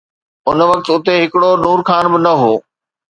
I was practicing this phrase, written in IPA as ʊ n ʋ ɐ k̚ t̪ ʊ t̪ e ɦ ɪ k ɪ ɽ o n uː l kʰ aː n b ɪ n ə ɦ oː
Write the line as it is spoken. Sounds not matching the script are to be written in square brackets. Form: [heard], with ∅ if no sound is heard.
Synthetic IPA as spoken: ʊ n ʋ ɐ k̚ t̪ ʊ t̪ e ɦ ɪ k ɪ ɽ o n uː [ɾ] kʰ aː n b ɪ n [ɐ] ɦ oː